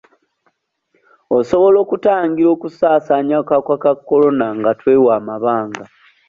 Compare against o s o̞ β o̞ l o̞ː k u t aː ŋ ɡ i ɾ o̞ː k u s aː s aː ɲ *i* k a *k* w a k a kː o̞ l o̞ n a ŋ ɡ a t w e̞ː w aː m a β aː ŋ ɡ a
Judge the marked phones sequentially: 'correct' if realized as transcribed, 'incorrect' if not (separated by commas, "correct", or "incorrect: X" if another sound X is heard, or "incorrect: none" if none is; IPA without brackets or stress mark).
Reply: incorrect: a, correct